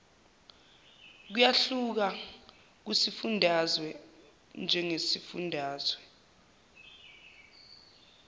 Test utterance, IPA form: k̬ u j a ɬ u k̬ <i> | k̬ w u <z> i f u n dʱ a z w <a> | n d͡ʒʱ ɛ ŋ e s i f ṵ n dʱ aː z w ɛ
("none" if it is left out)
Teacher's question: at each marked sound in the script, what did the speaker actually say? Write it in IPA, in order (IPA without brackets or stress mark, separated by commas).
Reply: a, s, ɛ